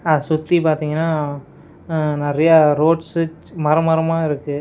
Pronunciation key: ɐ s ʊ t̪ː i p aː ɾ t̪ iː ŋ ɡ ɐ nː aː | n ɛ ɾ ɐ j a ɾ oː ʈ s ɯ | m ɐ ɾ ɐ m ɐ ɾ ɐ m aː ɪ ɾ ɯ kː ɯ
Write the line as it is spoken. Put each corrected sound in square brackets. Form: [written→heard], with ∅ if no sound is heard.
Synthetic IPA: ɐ s ʊ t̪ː i p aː ɾ t̪ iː ŋ ɡ ɐ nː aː | n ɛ ɾ ɐ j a ɾ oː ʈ s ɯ | m ɐ ɾ ɐ m ɐ ɾ ɐ m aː ɪ ɾ ɯ kː ɯ